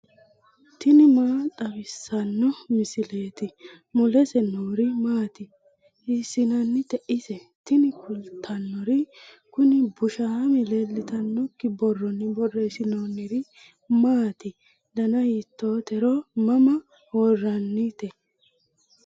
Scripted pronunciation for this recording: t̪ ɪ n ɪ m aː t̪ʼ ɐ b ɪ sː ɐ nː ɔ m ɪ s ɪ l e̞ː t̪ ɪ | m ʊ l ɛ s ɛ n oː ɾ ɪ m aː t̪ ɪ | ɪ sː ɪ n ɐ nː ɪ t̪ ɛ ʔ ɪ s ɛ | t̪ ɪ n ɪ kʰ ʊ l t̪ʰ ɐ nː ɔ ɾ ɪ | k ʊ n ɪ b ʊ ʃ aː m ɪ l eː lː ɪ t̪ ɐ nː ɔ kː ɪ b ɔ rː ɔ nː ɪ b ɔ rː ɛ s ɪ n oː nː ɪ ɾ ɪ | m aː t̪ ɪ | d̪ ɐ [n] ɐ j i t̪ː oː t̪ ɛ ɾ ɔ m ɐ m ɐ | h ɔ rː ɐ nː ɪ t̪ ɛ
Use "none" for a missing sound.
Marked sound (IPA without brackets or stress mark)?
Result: n